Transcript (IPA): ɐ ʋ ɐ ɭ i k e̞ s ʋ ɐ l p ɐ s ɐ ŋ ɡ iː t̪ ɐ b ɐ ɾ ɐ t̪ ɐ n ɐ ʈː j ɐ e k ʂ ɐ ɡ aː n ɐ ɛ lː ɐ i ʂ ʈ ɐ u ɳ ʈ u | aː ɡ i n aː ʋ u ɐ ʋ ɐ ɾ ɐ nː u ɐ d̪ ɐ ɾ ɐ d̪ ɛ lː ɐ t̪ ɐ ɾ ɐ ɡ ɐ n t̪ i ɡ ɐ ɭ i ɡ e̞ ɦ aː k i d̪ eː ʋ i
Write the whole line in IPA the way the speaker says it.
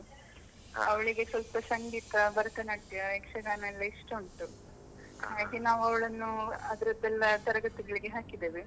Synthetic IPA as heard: ɐ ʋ ɐ ɭ i ɡ e̞ s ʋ ɐ l p ɐ s ɐ ŋ ɡ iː t̪ ɐ b ɐ ɾ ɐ t̪ ɐ n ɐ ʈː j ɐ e k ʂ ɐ ɡ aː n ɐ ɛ lː ɐ i ʂ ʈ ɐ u ɳ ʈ u | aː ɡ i n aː ʋ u ɐ ʋ ɐ ɭ ɐ nː u ɐ d̪ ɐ ɾ ɐ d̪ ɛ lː ɐ t̪ ɐ ɾ ɐ ɡ ɐ t̪ i ɡ ɐ ɭ i ɡ e̞ ɦ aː k i d̪ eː ʋ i

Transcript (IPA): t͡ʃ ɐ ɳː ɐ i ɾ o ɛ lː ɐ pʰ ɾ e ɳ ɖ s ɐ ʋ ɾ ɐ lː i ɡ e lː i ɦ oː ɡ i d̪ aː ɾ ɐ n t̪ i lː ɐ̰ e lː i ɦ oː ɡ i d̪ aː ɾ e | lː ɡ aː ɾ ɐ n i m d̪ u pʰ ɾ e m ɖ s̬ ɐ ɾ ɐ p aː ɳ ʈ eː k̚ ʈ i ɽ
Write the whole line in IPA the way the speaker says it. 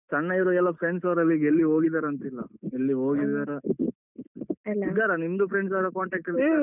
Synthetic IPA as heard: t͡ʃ ɐ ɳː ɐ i ɾ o ɛ lː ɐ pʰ ɾ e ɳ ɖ s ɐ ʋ ɾ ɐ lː i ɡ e lː i ɦ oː ɡ i d̪ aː ɾ ɐ n t̪ i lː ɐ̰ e lː i ɦ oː ɡ i d̪ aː ɾ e | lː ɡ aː ɾ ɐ n i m d̪ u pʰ ɾ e ɳ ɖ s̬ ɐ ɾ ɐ k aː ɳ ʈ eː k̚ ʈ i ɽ

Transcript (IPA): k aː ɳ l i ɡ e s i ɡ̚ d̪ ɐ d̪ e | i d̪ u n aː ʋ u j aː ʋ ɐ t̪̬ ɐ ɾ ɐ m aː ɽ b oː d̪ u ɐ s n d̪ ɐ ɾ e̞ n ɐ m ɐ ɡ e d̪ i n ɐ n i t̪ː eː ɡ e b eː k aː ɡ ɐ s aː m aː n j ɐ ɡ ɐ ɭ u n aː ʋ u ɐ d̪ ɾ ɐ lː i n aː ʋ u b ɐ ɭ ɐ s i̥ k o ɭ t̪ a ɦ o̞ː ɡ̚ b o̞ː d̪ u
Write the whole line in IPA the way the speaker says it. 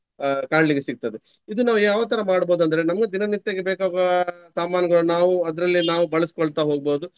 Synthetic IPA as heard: k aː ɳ l i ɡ e s i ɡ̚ t̪ ɐ d̪ e | i d̪ u n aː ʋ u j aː ʋ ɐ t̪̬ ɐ ɾ ɐ m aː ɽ b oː d̪ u ɐ n d̪ ɐ ɾ e̞ n ɐ m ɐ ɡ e d̪ i n ɐ n i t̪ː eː ɡ e b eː k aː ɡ ɐ s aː m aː n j ɐ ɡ ɐ ɭ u n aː ʋ u ɐ d̪ ɾ ɐ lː i n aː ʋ u b ɐ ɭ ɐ s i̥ k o ɭ t̪ a ɦ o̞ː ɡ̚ b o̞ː d̪ u

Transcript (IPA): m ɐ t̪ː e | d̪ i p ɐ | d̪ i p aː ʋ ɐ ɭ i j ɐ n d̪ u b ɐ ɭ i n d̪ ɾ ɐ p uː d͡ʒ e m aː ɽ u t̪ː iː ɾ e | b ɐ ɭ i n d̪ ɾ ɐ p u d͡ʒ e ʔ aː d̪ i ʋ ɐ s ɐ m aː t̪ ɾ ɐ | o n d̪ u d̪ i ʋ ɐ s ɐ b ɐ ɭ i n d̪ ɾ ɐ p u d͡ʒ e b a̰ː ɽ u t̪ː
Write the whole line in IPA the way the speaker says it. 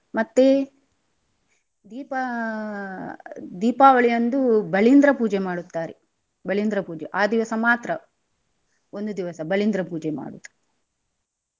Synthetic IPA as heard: m ɐ t̪ː e | d̪ iː p ɐ | d̪ iː p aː ʋ ɐ ɭ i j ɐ n d̪ u b ɐ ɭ i n d̪ ɾ ɐ p uː d͡ʒ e m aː ɽ u t̪ː aː ɾ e | b ɐ ɭ i n d̪ ɾ ɐ p uː d͡ʒ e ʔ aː d̪ i ʋ ɐ s ɐ m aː t̪ ɾ ɐ | o n d̪ u d̪ i ʋ ɐ s ɐ b ɐ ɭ i n d̪ ɾ ɐ p uː d͡ʒ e m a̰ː ɽ u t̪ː

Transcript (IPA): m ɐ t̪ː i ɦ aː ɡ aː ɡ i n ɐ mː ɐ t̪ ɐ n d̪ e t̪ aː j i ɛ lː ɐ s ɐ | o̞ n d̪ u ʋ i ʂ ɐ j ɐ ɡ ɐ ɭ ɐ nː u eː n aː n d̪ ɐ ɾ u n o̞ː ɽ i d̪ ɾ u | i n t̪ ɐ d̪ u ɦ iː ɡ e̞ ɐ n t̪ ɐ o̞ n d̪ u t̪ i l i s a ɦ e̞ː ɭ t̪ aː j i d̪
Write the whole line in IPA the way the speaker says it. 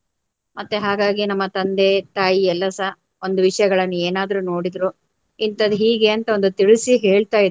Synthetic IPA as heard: m ɐ t̪ː e ɦ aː ɡ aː ɡ i n ɐ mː ɐ t̪ ɐ n d̪ e t̪ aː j i ɛ lː ɐ s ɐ | o̞ n d̪ u ʋ i ʂ ɐ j ɐ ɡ ɐ ɭ ɐ nː u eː n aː d̪ ɐ ɾ u n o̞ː ɽ i d̪ ɾ u | i n t̪ ɐ d̪ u ɦ iː ɡ e̞ ɐ n t̪ ɐ o̞ n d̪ u t̪ i ɭ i s i ɦ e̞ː ɭ t̪ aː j i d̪

